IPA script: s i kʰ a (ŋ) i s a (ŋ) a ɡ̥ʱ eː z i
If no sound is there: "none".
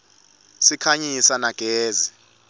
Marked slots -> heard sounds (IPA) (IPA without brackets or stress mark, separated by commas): ɲ, n